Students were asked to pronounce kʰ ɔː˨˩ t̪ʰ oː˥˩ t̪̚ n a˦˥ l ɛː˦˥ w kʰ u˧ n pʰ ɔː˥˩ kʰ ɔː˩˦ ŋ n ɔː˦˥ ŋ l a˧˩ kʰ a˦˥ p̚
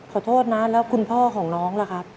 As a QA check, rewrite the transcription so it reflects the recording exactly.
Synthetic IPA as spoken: kʰ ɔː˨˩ t̪ʰ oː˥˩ t̪̚ n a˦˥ l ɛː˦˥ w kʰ u˧ n pʰ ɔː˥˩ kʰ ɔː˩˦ ŋ n ɔː˦˥ ŋ l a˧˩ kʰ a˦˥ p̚